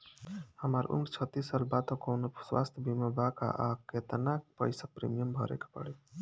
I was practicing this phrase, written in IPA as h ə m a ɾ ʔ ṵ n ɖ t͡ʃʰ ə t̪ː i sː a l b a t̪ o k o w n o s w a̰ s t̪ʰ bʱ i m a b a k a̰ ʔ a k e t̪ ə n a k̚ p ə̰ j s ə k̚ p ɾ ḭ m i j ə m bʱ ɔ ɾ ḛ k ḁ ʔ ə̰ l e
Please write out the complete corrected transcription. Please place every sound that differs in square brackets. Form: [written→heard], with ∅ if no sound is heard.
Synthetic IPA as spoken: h ə m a ɾ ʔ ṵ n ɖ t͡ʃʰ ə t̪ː i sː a l b a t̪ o k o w n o s w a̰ s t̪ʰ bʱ i m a b a k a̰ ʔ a k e t̪ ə n a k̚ p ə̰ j s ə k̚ p ɾ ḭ m i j ə m bʱ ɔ ɾ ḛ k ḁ [ʔ→p] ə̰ [l→ɽ] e